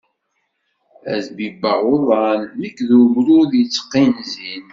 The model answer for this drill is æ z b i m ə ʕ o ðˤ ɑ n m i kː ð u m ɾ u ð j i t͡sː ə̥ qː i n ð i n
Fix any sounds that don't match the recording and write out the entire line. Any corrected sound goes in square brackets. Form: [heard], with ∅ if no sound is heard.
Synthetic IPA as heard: æ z b i [b] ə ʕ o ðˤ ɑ n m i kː ð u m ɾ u ð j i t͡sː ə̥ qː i n [z] i n